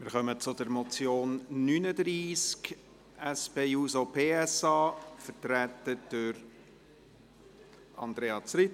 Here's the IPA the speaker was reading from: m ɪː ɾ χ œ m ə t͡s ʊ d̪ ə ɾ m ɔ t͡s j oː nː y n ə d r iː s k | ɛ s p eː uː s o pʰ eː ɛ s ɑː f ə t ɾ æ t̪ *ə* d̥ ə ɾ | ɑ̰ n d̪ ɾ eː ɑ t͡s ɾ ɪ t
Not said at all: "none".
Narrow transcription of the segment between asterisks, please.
ə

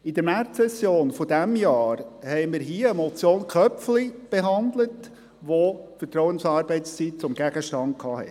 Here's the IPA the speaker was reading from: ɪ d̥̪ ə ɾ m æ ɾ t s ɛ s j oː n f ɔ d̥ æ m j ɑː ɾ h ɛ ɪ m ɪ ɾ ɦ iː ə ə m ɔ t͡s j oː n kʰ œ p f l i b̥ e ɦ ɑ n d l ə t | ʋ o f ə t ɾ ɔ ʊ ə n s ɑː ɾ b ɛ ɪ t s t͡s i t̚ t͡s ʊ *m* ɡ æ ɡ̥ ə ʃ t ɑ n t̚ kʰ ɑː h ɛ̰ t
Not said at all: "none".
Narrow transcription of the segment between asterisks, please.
m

